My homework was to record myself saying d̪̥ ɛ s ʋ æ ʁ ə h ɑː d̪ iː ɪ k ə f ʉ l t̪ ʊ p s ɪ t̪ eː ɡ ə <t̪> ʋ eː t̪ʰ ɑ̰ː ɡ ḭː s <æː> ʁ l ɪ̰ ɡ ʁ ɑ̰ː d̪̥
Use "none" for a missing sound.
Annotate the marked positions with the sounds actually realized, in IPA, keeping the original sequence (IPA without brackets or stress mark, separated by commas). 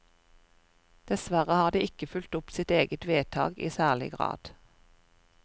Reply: t̪, æː